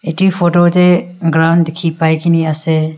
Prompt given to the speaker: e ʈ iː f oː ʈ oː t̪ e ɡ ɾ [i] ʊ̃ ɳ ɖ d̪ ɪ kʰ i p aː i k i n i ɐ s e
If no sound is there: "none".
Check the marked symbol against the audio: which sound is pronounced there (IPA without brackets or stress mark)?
a